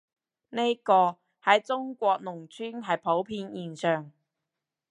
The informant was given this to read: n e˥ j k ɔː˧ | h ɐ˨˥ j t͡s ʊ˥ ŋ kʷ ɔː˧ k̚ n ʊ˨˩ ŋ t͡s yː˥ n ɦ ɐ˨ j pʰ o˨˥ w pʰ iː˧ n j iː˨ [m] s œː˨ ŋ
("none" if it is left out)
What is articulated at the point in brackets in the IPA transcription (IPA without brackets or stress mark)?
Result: n